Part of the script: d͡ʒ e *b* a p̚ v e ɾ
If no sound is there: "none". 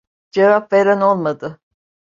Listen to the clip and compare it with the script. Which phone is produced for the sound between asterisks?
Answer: v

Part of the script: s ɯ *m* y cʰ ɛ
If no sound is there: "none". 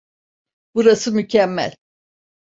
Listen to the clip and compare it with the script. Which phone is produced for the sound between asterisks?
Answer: m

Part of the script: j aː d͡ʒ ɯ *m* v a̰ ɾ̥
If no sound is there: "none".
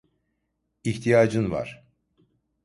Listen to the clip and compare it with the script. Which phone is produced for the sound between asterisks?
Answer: n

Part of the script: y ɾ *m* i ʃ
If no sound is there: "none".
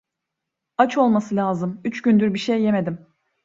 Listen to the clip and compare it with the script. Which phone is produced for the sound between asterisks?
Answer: b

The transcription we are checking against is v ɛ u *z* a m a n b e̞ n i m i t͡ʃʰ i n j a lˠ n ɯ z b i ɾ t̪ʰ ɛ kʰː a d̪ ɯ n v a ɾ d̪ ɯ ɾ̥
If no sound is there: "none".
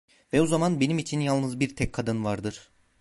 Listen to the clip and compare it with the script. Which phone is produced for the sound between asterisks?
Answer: z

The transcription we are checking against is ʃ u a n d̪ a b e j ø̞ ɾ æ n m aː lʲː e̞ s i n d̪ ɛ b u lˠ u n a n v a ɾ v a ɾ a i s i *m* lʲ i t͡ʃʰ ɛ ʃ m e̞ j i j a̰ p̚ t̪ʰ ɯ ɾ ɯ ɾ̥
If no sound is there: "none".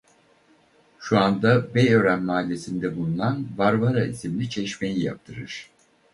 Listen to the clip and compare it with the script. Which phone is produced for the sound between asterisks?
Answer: m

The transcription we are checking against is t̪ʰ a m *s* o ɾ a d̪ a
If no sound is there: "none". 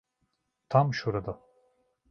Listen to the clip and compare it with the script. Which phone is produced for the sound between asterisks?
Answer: ʃ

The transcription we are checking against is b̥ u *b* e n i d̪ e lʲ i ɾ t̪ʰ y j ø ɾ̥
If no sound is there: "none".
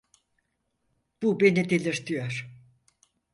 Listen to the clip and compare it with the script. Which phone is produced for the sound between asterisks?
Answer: b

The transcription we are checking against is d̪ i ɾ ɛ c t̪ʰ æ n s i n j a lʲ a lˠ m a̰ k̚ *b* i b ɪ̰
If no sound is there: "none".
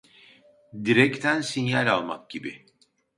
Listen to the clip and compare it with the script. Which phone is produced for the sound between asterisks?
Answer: ɟ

